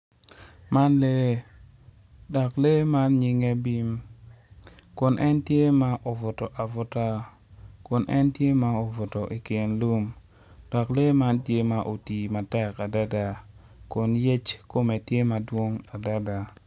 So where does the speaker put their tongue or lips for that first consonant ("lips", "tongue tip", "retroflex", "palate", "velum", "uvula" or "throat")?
lips